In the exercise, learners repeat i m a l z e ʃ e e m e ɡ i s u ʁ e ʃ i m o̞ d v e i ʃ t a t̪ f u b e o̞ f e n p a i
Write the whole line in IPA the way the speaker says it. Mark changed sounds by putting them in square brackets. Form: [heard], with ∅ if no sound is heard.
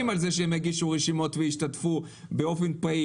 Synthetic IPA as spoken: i m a l z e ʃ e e m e ɡ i [ʃ] u ʁ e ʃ i m o̞ [t] v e i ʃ t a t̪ f u b e o̞ f e n p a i